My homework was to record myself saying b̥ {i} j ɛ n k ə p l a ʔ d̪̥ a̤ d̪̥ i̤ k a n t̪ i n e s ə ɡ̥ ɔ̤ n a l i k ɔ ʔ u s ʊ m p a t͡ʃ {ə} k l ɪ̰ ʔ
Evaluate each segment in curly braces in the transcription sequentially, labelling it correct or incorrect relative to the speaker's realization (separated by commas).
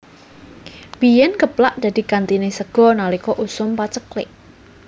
correct, correct